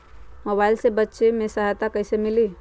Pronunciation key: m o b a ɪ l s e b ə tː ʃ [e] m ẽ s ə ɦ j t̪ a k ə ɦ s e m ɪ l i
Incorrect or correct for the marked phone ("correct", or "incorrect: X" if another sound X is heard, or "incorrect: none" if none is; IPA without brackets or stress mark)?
correct